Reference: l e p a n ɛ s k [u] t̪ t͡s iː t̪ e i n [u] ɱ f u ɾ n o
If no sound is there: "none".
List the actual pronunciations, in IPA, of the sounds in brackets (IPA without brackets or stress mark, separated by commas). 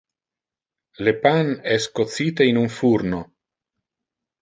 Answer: o, u